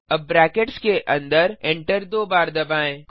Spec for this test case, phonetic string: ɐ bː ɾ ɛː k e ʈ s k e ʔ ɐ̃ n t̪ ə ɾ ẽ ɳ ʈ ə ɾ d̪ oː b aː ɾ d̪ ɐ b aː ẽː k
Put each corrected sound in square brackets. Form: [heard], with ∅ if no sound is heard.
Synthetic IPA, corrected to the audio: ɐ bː ɾ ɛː k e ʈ s k e ʔ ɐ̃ n [d̪] ə ɾ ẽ ɳ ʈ ə ɾ d̪ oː b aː ɾ d̪ ɐ b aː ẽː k